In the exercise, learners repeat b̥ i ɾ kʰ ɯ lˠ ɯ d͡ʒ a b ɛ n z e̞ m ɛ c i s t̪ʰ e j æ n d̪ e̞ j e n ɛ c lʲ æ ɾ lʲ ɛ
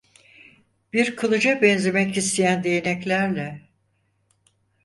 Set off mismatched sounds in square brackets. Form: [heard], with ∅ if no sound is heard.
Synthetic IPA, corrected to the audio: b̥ i ɾ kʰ ɯ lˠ ɯ d͡ʒ a b ɛ n z e̞ m ɛ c i s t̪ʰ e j æ n d̪ e̞ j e n ɛ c lʲ æ ɾ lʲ ɛ